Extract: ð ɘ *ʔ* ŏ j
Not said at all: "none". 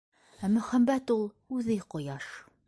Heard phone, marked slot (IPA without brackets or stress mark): q